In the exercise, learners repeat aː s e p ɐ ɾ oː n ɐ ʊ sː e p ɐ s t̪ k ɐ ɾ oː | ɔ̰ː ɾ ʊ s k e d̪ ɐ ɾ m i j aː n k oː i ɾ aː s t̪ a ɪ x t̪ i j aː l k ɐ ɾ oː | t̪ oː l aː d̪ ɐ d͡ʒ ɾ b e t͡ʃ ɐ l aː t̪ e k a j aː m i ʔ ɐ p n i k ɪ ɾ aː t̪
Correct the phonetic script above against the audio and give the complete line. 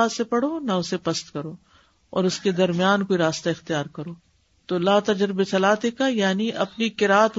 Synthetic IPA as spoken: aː s e p ɐ ɽ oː n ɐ ʊ s e p ɐ s t̪ k ɐ ɾ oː | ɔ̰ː ɾ ʊ s k e d̪ ɐ ɾ m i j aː n k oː i ɾ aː s t̪ a ɪ x t̪ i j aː ɾ k ɐ ɾ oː | t̪ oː l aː t̪ ɐ d͡ʒ ɾ b e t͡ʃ ɐ l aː t̪ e k a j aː n i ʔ ɐ p n i k ɪ ɾ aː t̪